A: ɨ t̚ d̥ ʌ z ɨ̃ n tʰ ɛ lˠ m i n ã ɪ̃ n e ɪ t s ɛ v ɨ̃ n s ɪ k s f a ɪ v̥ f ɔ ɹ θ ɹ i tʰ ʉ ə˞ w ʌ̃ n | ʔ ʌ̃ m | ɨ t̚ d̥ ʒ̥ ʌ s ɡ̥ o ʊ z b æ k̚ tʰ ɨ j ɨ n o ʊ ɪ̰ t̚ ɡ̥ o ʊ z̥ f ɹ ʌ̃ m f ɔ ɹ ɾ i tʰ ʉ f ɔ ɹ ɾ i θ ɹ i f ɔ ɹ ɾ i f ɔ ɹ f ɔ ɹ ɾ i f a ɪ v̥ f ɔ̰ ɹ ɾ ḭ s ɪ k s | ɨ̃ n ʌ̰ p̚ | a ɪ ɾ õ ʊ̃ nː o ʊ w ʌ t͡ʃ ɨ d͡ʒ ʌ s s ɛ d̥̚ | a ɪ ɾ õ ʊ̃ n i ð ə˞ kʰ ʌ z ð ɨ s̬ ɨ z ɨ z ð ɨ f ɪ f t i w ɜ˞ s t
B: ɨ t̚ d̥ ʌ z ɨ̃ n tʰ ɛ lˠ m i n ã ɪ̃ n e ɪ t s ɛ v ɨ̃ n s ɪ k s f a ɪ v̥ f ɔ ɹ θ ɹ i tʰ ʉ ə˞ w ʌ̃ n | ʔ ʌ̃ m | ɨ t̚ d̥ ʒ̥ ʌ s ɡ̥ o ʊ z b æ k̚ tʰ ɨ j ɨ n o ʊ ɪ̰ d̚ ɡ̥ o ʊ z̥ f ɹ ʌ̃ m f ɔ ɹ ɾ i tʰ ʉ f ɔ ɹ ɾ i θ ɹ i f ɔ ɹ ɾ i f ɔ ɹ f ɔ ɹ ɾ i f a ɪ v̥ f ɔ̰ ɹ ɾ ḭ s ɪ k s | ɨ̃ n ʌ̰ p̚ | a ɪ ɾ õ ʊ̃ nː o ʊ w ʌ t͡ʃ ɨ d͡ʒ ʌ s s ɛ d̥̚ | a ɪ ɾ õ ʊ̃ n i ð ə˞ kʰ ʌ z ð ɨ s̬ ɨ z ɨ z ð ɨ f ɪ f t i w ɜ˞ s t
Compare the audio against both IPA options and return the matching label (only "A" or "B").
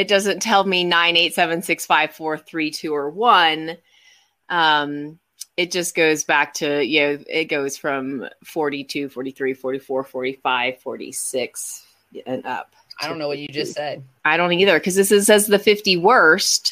A